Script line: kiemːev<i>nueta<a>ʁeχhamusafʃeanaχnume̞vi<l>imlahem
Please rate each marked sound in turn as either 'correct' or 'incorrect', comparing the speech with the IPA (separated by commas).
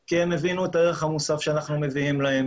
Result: correct, incorrect, incorrect